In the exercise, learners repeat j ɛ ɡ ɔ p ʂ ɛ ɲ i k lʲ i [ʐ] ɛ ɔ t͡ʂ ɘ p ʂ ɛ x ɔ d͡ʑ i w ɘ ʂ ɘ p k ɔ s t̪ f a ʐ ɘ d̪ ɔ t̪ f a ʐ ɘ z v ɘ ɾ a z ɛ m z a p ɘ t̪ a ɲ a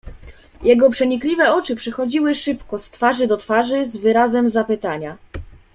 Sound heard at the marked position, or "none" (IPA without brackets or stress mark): v